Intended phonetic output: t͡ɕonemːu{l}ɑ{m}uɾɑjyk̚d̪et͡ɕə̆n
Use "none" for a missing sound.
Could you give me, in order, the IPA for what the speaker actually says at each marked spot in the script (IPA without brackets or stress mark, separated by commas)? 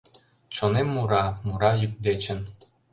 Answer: ɾ, m